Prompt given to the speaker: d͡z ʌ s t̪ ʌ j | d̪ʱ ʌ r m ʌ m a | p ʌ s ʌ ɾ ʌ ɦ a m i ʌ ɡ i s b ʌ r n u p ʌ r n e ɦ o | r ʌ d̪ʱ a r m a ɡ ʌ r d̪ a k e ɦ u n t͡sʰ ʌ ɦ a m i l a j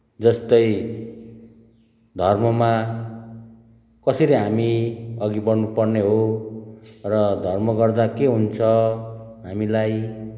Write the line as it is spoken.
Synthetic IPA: d͡z ʌ s t̪ ʌ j | d̪ʱ ʌ r m ʌ m a | k ʌ s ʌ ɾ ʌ ɦ a m i ʌ ɡ i b ʌ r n u p ʌ r n e ɦ o | r ʌ d̪ʱ ʌ r m ʌ ɡ ʌ r d̪ a k e ɦ u n t͡sʰ ʌ ɦ a m i l a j